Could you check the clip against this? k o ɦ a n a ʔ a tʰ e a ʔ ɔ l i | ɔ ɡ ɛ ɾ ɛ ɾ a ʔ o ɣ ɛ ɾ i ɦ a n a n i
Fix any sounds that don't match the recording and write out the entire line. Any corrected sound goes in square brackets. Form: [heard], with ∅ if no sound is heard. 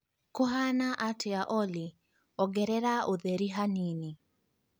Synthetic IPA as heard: k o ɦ a n a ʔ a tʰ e a ʔ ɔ l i | ɔ ɡ ɛ ɾ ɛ ɾ a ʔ o [ð] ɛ ɾ i ɦ a n [i] n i

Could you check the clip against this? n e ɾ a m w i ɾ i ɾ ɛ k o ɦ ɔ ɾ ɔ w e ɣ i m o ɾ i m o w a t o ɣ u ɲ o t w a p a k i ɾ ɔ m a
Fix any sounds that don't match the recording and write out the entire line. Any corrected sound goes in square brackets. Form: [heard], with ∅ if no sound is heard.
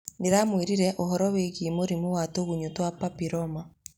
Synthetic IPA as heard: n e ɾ a m w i ɾ i ɾ ɛ [ʔ] o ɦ ɔ ɾ ɔ w e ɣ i m o ɾ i m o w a t o ɣ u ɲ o t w a p a [p] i ɾ ɔ m a

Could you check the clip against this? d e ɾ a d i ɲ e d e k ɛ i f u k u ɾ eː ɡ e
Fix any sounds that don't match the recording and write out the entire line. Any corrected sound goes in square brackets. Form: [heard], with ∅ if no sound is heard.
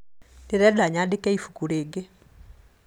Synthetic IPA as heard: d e ɾ [ɛ] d [a] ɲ [a] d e k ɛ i f u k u ɾ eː ɡ e

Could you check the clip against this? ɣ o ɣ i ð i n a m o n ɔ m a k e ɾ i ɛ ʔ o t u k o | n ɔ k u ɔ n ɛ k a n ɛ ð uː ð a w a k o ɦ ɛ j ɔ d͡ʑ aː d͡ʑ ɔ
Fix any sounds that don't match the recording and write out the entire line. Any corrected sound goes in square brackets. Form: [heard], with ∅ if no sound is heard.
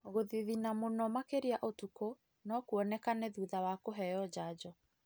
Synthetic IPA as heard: ɣ o [ð] i ð i n a m o n ɔ m a k e ɾ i [a] ʔ o t u k o | n ɔ k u ɔ n ɛ k a n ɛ ð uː ð a w a k o ɦ ɛ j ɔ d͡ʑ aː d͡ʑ ɔ

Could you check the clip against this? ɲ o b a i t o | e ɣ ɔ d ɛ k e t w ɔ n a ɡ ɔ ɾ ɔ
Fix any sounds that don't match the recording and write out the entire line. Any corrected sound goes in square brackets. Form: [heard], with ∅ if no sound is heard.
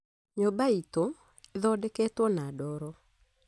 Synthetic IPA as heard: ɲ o b a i t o | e [ð] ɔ d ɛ k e t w ɔ n a [d] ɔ ɾ ɔ

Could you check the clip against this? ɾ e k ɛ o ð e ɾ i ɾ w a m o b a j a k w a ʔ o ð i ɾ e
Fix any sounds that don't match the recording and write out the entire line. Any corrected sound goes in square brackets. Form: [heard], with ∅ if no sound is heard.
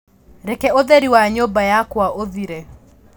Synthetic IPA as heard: ɾ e k ɛ o ð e ɾ i [∅] w a [ɲ] o b a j a k w a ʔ o ð i ɾ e

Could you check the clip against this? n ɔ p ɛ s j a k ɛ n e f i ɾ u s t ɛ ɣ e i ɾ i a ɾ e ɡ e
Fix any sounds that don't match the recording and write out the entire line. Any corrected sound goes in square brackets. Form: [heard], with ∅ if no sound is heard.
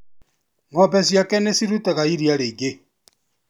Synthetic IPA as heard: [ŋ] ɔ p ɛ s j a k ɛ n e [s] i ɾ u [∅] t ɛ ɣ [a] i ɾ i a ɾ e ɡ e

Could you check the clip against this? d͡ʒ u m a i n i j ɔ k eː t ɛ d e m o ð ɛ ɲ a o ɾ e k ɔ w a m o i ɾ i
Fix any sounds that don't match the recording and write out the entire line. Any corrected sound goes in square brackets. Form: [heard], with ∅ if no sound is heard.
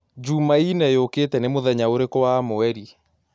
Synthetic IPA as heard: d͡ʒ u m a i n [ɛ] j [o] k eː t ɛ [n] e m o ð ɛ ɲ a o ɾ e k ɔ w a m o [ɛ] ɾ i

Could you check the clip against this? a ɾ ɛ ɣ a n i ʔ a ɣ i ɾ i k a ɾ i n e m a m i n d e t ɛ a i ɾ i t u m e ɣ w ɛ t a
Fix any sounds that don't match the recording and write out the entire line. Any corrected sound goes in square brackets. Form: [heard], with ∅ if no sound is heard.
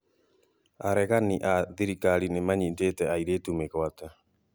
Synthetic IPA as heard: a ɾ ɛ ɣ a n i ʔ a [ð] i ɾ i k a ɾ i n e m a [ɲ] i n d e t ɛ a i ɾ [e] t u m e ɣ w [a] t a

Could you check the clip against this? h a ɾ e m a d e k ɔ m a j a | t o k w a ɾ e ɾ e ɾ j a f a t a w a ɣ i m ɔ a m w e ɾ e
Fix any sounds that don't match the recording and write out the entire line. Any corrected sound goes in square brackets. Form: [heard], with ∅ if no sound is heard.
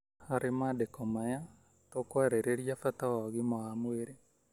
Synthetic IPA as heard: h a ɾ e m a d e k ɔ m a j a | t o k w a ɾ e ɾ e ɾ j a f a t a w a ɣ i m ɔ a m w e ɾ e

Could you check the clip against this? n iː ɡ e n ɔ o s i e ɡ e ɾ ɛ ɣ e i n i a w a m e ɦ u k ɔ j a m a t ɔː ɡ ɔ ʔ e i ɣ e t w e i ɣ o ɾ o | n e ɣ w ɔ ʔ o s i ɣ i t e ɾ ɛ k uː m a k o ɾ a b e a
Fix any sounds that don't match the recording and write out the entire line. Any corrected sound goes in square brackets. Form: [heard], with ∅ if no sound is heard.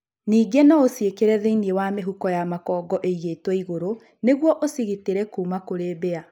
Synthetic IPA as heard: n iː ɡ e n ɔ o s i e [k] e ɾ ɛ [ð] e i n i [e] w a m e ɦ u k ɔ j a m a [k] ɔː ɡ ɔ ʔ e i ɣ e t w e i ɣ o ɾ o | n e ɣ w ɔ ʔ o s i ɣ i t e ɾ ɛ k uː m a k o ɾ [e] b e a

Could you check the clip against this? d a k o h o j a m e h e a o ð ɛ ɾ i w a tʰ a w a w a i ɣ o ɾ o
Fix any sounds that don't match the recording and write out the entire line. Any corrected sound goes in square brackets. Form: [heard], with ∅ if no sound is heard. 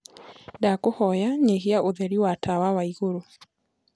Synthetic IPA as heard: d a k o h [ɔ] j a [ɲ] e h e a o ð ɛ ɾ i w a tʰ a w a w a i ɣ o ɾ o

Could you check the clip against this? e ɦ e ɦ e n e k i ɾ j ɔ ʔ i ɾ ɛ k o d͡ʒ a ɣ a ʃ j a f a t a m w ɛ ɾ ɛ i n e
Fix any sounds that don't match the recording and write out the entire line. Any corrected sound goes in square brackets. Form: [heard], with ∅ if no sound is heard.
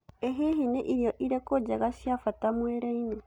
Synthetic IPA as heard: e ɦ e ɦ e n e [ʔ] i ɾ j ɔ ʔ i ɾ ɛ k o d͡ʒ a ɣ a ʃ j a f a t a m w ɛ ɾ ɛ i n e

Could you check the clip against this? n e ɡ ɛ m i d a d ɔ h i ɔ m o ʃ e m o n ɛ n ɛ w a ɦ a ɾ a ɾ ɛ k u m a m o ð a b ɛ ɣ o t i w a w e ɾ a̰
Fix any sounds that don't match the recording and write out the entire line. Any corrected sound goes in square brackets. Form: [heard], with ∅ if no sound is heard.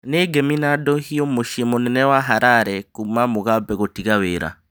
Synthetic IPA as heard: n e ɡ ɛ m i [n] a d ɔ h i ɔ m o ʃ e m o n ɛ n ɛ w a ɦ a ɾ a ɾ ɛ k u m a m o [ɣ] a b ɛ ɣ o t i [ɣ] a w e ɾ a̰

